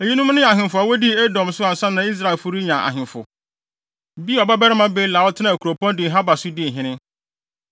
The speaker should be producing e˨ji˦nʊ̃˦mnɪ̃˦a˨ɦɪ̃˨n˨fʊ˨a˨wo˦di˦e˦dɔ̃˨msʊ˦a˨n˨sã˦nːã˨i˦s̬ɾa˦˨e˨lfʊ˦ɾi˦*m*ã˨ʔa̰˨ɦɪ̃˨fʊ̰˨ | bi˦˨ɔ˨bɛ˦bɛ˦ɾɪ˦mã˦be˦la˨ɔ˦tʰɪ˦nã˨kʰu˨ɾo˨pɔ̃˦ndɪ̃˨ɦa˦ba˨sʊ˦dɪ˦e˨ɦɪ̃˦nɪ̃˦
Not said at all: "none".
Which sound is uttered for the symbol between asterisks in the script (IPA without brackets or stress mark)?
ɲ